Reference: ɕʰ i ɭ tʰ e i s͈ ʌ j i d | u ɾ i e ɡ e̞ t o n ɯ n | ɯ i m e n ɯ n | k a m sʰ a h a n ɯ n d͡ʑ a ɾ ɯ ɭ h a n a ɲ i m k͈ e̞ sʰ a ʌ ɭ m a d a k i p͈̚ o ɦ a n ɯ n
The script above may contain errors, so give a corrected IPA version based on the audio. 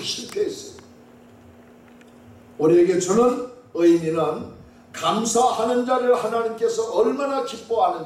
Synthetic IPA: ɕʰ i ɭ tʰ e i s͈ ʌ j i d | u ɾ i e ɡ e̞ t͡ɕ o n ɯ n | ɯ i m i n ɯ n | k a m sʰ a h a n ɯ n d͡ʑ a ɾ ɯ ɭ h a n a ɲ i m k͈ e̞ sʰ ʌ ʌ ɭ m a n a k i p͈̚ o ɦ a n ɯ n